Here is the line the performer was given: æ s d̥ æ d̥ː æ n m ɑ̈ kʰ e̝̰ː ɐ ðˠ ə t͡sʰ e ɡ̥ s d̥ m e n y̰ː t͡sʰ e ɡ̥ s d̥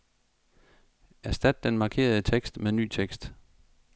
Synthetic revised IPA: æ s d̥ æ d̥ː e n m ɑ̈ kʰ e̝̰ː ɐ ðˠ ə t͡sʰ e ɡ̥ s d̥ m e n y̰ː t͡sʰ e ɡ̥ s d̥